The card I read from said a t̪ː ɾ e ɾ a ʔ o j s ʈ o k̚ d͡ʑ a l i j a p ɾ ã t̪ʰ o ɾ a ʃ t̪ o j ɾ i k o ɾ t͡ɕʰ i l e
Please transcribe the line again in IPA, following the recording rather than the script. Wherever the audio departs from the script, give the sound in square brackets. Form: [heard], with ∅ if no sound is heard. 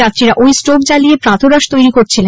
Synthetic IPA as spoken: a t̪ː ɾ [i] ɾ a ʔ o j s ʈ o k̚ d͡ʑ a l i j [e] p ɾ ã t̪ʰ o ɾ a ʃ t̪ o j ɾ i k o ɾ t͡ɕʰ i l e

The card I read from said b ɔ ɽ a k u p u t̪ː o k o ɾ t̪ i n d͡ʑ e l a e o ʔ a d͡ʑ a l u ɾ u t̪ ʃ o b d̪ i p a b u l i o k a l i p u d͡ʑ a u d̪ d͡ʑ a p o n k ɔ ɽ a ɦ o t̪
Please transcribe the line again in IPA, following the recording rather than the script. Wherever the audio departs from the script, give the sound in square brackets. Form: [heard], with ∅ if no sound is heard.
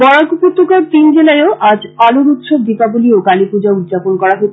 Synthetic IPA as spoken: b ɔ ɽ a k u p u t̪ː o k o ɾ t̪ i n d͡ʑ e l a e o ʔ a d͡ʑ a l u ɾ u t̪ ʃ o b d̪ i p a b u l i o k a l i p u d͡ʑ a u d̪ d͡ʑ a p o n k ɔ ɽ a ɦ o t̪

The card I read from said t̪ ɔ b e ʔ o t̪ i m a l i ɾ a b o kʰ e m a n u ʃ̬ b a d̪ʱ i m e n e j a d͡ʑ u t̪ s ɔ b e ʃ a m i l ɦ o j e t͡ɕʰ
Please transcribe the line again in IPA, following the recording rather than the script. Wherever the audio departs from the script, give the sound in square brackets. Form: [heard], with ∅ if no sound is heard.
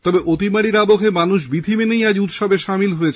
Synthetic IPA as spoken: t̪ ɔ b e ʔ o t̪ i m a [ɽ] i ɾ a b o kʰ e m a n u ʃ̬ b [i] d̪ʱ i m e n e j a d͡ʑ u t̪ [ʃ] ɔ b e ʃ a m i l ɦ o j e t͡ɕʰ

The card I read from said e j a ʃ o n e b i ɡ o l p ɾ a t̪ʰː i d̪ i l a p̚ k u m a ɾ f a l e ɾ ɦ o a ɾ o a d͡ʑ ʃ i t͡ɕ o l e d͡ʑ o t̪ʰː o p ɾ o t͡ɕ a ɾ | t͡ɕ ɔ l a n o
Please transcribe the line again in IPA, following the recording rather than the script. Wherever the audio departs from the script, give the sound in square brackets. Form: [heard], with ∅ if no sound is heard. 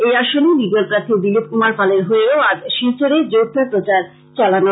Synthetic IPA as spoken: e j a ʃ o n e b i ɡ o l p ɾ a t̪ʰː i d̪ i l [i] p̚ k u m a ɾ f a l e ɾ ɦ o [e] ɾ o a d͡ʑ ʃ i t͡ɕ o [ɾ] e d͡ʑ o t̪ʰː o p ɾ o t͡ɕ a ɾ | t͡ɕ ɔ l a n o

